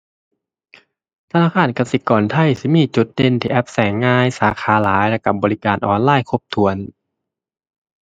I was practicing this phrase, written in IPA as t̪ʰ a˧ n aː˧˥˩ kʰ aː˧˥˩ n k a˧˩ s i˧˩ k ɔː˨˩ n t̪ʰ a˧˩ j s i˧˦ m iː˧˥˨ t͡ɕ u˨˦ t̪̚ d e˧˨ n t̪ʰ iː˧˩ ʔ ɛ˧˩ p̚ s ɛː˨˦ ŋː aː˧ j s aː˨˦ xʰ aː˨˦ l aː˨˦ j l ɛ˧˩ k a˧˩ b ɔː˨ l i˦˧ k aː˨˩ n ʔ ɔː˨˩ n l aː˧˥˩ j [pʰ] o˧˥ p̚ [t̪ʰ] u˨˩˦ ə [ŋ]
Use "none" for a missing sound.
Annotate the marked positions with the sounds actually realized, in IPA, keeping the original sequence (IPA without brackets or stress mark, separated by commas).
kʰ, t̪ʰ, n